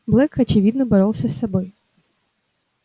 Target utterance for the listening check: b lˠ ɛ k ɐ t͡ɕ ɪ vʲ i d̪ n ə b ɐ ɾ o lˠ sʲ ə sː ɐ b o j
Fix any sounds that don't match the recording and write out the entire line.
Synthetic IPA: b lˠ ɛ k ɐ t͡ɕ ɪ vʲ i d̪ n ə b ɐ ɾ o lˠ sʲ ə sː ɐ b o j